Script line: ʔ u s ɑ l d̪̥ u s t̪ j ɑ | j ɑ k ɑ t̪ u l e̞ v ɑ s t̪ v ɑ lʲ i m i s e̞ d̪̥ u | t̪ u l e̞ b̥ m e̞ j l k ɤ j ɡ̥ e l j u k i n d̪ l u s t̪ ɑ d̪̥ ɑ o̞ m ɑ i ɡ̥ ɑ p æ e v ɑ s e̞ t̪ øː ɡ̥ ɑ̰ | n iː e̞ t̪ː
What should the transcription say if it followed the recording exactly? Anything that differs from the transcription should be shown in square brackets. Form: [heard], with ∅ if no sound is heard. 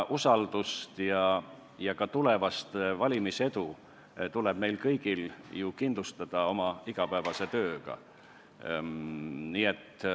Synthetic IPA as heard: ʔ u s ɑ l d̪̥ u s t̪ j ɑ | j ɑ k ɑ t̪ u l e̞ v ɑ s t̪ v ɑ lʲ i m i s e̞ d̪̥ u | t̪ u l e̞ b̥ m e̞ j l k ɤ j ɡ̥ [i] l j u k i n d̪ l u s t̪ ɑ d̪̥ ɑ o̞ m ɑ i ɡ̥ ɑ p æ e v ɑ s e̞ t̪ øː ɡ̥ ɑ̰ | n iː e̞ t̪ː